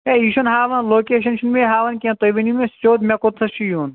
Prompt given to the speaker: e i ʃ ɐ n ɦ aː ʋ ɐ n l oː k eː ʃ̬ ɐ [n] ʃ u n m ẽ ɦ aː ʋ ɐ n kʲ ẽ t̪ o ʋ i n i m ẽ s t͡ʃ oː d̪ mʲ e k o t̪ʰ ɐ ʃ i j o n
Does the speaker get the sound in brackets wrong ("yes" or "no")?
no